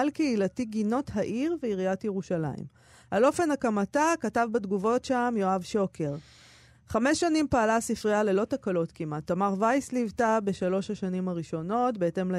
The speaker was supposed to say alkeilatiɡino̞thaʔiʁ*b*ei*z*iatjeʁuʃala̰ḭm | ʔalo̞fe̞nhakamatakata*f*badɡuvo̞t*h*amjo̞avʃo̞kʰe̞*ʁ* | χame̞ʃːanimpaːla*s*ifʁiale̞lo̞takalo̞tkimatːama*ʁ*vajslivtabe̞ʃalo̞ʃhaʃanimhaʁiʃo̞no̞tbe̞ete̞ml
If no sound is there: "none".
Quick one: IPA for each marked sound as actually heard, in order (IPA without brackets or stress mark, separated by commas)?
v, ʁ, v, ʃ, ʁ, s, ʁ